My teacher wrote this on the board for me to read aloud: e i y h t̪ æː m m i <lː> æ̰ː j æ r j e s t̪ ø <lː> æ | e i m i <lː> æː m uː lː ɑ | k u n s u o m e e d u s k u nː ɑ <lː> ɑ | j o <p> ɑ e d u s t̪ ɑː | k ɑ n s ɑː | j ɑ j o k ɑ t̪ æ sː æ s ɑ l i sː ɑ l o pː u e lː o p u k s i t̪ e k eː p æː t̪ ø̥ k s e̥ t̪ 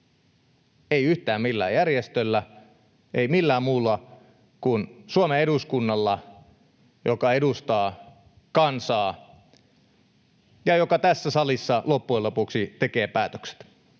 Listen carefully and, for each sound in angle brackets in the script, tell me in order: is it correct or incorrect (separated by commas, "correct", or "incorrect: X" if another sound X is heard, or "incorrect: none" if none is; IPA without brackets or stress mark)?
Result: correct, correct, correct, correct, incorrect: k